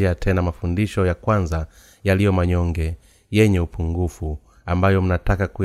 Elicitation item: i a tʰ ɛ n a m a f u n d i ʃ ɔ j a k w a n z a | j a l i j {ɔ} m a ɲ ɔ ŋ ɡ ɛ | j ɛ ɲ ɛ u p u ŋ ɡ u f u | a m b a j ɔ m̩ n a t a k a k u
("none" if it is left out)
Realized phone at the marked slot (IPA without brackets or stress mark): ɔ